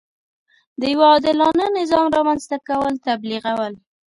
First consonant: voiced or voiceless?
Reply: voiced